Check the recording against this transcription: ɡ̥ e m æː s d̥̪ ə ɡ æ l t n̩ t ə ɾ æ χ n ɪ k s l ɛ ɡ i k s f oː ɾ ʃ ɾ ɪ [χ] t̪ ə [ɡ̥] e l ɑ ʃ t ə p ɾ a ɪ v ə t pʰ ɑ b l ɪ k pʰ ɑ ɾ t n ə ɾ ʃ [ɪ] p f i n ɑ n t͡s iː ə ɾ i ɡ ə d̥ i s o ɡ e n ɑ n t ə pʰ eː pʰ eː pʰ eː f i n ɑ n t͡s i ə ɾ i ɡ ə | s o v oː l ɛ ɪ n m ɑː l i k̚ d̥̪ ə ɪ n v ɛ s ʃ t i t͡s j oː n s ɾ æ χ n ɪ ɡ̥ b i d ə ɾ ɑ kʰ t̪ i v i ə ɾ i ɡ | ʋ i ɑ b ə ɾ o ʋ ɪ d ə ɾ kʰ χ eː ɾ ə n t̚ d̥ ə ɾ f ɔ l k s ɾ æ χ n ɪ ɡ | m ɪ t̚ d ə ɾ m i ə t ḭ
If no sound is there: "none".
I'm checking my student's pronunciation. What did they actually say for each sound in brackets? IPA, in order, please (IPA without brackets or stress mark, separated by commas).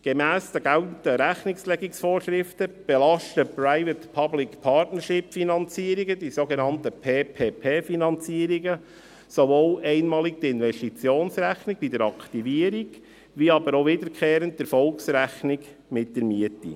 f, b̥, ɪ